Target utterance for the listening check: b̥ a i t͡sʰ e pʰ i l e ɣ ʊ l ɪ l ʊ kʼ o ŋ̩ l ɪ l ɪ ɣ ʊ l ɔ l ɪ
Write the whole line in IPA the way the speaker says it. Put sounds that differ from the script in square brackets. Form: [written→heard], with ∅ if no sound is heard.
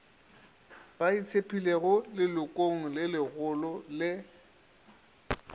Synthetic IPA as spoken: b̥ a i t͡sʰ e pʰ i l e ɣ ʊ l ɪ l ʊ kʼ o ŋ̩ l ɪ l ɪ ɣ ʊ l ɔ l ɪ